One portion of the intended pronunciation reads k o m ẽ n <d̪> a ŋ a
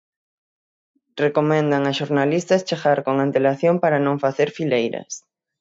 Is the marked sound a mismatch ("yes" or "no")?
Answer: no